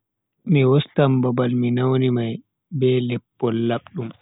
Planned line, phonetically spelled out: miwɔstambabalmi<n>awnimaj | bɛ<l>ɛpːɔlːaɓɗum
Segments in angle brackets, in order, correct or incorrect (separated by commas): correct, correct